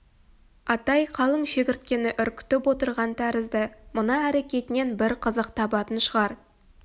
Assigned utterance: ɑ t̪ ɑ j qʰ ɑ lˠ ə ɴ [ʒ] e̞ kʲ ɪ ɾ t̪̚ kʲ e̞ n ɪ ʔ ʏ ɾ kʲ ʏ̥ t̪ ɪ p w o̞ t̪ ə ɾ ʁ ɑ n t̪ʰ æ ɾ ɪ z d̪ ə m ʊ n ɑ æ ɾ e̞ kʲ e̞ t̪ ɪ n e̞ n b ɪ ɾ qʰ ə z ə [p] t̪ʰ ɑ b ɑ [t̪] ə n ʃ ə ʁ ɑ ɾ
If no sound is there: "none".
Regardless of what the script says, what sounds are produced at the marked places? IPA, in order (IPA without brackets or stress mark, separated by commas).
ʃ, q, t̪